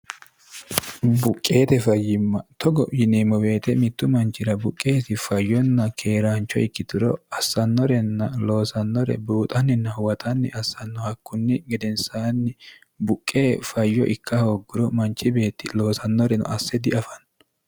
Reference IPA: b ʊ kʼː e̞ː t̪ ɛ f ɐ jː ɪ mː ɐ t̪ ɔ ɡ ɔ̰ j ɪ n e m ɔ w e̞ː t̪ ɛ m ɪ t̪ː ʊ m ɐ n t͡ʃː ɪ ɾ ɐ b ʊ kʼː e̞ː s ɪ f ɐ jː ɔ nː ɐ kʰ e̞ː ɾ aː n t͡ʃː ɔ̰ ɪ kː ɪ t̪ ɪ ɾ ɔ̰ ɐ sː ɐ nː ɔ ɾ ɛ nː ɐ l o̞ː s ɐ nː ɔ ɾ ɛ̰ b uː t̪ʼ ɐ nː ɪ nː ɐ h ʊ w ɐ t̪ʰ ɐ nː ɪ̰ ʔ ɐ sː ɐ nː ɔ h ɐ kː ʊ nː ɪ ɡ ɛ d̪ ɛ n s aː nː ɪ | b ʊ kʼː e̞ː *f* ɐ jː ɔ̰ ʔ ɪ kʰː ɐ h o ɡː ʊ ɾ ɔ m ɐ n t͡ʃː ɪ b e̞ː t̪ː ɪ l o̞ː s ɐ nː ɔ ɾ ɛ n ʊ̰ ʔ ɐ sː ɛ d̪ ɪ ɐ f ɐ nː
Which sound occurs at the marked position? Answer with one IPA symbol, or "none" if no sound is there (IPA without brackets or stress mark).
f